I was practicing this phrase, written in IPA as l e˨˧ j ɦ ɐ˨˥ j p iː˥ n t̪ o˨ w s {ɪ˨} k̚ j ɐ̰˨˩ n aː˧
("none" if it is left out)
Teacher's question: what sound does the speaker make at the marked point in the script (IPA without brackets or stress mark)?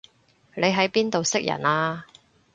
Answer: ɪ˥